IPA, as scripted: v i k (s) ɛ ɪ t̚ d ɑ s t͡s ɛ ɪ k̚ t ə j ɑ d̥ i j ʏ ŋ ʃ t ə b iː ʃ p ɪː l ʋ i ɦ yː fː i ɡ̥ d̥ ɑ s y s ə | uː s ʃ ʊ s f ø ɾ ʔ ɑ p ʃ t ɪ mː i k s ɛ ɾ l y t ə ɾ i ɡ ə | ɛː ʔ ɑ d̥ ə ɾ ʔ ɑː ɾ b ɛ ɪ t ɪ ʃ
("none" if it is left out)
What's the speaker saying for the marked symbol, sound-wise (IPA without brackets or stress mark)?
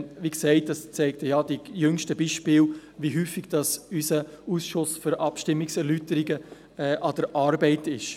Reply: s